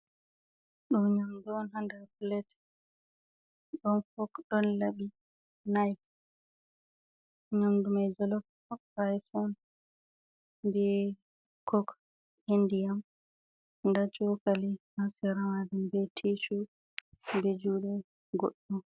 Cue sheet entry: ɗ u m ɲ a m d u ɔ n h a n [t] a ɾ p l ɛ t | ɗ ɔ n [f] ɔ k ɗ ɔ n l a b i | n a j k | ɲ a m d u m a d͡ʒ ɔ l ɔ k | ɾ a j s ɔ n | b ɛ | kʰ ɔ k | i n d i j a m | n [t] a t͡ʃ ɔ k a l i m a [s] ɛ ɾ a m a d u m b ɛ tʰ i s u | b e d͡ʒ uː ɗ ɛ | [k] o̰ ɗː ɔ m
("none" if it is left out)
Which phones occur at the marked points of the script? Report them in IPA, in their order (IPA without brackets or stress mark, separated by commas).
d, f, d, s, ɡ